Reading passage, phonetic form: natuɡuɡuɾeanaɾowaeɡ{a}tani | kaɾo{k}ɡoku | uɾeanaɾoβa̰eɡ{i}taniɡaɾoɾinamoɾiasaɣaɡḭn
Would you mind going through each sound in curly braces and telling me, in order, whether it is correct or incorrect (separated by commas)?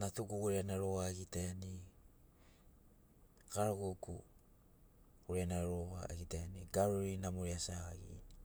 incorrect, incorrect, correct